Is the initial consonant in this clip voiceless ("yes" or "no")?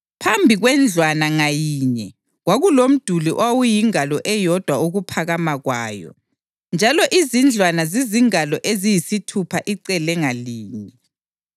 yes